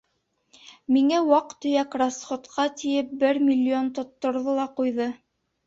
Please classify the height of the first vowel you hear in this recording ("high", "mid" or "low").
high